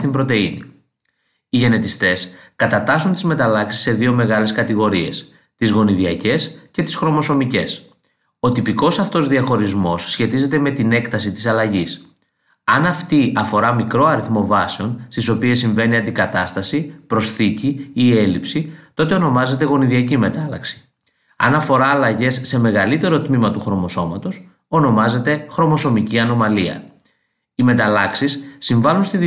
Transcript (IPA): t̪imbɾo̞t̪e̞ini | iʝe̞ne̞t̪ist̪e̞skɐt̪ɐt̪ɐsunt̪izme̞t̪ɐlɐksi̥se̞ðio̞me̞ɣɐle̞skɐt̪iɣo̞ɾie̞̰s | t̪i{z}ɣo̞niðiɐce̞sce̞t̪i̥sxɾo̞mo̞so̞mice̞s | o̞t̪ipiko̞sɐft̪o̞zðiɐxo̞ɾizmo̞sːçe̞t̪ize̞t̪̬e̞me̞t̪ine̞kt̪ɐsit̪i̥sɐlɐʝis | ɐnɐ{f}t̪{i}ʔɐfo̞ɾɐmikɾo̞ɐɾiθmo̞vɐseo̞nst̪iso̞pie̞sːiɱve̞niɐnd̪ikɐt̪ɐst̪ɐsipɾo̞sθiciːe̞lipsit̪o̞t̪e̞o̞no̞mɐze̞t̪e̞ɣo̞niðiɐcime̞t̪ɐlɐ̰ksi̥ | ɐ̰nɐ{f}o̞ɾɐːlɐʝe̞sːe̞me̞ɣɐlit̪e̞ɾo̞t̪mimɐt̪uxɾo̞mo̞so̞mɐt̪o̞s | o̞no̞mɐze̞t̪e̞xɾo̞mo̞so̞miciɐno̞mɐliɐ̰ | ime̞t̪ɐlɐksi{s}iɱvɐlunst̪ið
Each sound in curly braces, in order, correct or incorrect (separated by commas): correct, correct, correct, correct, incorrect